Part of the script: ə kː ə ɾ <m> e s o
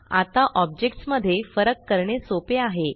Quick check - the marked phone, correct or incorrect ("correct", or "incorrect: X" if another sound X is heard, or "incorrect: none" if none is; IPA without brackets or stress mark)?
incorrect: ɳ